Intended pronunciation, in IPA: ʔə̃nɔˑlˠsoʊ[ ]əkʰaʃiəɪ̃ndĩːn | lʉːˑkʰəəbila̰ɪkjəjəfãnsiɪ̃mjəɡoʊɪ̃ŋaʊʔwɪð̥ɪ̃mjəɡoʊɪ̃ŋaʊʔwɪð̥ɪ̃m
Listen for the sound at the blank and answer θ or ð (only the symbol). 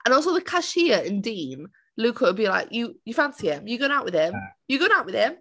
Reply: ð